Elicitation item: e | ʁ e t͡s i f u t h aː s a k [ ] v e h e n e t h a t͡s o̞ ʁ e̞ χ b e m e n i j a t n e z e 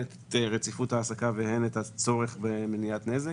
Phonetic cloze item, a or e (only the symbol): a